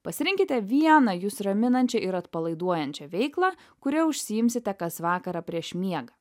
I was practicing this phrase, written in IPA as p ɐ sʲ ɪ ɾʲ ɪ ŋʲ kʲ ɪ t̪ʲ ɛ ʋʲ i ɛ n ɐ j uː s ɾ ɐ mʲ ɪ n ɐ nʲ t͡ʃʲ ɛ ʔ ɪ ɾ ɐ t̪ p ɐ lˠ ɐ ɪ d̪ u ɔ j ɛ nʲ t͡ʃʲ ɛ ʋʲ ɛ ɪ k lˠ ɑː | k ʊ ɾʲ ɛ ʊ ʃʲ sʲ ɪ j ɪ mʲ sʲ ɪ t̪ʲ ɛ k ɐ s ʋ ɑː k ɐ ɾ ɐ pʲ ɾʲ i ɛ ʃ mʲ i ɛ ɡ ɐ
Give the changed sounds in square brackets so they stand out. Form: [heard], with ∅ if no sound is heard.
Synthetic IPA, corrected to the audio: p ɐ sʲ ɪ ɾʲ ɪ ŋʲ kʲ ɪ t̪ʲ ɛ ʋʲ i ɛ n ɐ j uː s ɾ ɐ mʲ ɪ n ɐ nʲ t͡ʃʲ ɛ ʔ ɪ ɾ ɐ t̪ p ɐ lˠ ɐ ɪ d̪ u ɔ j ɛ nʲ t͡ʃʲ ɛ ʋʲ ɛ ɪ k lˠ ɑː | k ʊ ɾʲ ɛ ʊ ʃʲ sʲ ɪ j ɪ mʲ sʲ ɪ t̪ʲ ɛ k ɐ s ʋ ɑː k ɐ ɾ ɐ pʲ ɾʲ i ɛ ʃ mʲ i ɛ ɡ ɐ